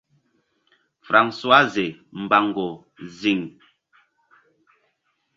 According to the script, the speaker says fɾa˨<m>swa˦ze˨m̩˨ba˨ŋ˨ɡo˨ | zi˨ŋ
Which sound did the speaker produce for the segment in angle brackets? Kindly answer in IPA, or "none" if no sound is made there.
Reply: ŋ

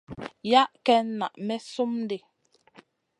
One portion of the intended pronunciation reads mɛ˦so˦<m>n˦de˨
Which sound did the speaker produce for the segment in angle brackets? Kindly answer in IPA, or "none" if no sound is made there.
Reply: m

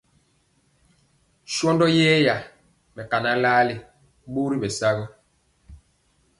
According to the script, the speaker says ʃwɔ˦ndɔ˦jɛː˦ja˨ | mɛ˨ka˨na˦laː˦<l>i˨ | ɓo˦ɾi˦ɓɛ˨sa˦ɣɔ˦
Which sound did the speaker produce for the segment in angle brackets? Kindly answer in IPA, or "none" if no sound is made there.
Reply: l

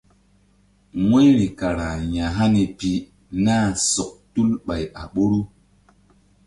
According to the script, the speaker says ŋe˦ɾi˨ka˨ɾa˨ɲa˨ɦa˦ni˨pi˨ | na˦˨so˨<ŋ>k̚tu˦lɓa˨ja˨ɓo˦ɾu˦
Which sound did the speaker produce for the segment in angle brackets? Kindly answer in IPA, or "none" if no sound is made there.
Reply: none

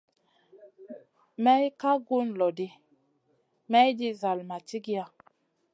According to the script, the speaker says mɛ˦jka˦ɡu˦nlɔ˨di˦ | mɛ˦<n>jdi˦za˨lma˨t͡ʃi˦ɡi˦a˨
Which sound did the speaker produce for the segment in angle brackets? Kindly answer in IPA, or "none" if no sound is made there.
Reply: none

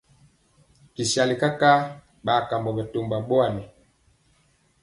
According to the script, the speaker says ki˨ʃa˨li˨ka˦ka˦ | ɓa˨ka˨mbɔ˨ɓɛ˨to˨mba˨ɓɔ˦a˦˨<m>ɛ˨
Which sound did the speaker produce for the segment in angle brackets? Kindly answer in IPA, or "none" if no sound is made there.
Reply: n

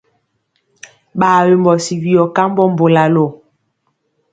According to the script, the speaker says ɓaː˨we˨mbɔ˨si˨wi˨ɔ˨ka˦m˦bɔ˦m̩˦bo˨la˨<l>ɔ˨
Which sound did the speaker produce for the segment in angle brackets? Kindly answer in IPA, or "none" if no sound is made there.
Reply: l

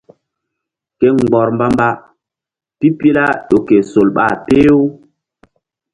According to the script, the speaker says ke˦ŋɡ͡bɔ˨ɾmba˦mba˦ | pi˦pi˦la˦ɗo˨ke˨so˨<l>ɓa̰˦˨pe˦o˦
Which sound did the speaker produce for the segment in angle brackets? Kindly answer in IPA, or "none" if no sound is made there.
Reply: l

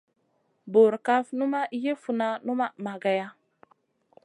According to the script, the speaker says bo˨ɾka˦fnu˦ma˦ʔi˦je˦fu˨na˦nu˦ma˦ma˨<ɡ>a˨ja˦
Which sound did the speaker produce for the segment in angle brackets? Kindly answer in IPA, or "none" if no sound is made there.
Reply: ɡ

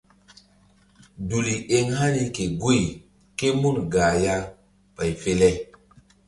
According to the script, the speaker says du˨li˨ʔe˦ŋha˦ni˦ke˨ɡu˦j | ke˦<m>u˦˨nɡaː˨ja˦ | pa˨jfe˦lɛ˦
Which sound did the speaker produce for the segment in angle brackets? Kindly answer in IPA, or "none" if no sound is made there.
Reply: m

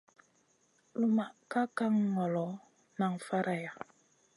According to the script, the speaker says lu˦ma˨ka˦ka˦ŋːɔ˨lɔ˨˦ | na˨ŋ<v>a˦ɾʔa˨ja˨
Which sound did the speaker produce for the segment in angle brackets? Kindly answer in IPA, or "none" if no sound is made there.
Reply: f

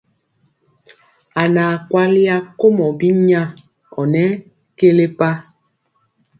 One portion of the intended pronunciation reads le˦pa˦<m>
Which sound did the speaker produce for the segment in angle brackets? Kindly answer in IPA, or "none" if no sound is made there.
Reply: none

